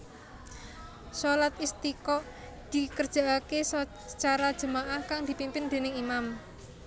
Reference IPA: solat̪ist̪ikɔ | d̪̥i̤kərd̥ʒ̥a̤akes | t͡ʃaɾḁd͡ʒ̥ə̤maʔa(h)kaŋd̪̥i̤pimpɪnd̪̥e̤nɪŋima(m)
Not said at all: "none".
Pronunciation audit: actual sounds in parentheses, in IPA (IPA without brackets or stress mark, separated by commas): h, m